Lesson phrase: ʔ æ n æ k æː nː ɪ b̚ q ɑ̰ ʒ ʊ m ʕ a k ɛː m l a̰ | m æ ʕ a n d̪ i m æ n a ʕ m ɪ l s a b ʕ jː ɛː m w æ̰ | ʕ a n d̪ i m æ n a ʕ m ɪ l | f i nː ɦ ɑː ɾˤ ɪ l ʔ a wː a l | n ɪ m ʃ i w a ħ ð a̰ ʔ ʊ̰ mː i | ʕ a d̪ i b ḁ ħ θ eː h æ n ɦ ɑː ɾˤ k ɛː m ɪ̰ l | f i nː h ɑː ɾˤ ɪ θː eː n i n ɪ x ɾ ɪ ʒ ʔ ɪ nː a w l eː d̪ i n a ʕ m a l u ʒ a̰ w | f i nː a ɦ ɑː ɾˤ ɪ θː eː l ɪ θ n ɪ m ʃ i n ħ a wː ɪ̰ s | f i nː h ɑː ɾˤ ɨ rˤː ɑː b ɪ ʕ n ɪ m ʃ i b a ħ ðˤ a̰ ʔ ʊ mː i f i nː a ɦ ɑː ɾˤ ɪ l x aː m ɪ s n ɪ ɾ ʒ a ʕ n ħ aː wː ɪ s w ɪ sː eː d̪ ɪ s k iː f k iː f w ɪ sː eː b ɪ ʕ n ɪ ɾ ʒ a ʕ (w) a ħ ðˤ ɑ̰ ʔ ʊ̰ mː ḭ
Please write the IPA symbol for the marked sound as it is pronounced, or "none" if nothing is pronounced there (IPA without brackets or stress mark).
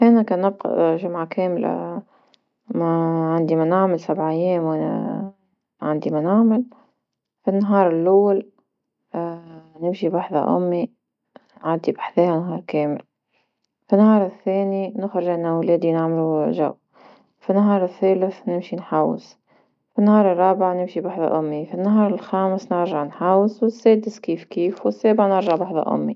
b